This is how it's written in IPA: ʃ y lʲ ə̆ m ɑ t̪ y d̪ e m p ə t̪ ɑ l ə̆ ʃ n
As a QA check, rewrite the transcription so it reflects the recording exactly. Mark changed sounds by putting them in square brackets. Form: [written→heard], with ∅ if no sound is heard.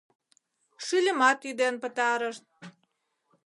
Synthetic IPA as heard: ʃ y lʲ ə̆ m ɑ t̪ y d̪ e [m→n] p ə t̪ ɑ [l→ɾ] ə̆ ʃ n